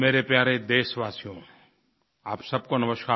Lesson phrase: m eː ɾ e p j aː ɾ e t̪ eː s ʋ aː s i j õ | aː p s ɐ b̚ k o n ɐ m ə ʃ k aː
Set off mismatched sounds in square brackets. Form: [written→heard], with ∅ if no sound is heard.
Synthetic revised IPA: m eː ɾ e p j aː ɾ e [t̪→d̪] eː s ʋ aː s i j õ | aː p s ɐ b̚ k o n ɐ m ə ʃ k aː